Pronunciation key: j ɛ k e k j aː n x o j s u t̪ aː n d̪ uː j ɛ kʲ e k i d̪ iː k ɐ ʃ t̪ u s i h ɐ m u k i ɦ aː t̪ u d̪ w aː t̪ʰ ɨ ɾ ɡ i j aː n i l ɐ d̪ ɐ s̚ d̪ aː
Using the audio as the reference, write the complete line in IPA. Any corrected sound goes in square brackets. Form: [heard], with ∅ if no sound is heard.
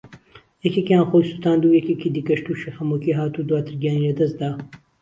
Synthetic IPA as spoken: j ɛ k e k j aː n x o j s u t̪ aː n d̪ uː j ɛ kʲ e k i d̪ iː k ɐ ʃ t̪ u [ʃ] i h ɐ m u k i ɦ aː t̪ u d̪ w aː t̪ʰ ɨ ɾ ɡ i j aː n i l ɐ d̪ ɐ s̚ d̪ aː